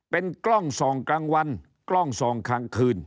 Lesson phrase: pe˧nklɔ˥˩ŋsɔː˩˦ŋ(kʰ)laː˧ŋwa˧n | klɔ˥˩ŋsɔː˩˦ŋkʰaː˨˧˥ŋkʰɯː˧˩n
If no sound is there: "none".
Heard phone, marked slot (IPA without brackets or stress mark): k